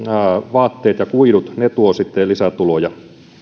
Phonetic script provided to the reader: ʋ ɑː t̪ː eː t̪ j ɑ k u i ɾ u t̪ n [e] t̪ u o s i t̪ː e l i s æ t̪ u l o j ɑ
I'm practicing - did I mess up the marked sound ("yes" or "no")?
no